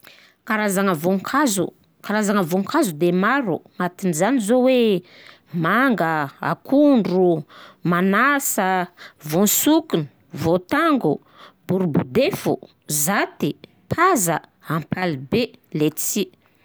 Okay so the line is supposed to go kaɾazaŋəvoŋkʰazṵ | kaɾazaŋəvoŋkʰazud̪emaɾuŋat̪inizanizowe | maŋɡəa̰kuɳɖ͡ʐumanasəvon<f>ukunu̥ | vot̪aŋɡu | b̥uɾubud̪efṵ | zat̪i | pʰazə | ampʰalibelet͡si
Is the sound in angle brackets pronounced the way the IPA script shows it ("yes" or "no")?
no